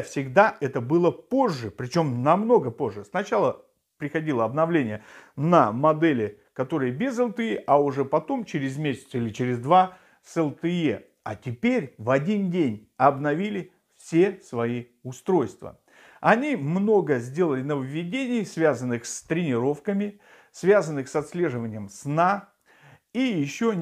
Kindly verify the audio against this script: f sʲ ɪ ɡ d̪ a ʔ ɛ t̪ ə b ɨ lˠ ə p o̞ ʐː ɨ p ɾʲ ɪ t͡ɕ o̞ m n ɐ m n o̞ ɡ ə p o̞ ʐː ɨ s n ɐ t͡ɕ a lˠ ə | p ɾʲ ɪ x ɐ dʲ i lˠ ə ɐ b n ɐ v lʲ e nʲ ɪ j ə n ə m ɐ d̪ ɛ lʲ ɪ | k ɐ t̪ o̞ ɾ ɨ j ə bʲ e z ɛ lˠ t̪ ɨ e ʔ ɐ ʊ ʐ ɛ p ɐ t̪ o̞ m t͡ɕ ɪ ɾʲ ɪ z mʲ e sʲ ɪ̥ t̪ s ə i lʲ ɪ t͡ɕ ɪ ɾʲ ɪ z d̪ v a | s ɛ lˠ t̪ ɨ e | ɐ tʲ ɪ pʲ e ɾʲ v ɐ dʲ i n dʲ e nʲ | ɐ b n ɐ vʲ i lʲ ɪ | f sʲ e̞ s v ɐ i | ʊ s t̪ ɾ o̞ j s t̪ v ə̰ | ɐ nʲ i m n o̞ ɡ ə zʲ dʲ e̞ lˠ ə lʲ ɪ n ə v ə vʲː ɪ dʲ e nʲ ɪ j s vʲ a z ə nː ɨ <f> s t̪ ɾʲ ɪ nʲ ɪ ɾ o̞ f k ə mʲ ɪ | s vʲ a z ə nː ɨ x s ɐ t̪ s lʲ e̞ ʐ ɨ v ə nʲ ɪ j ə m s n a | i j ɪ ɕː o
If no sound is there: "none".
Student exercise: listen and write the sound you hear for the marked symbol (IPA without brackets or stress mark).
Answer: x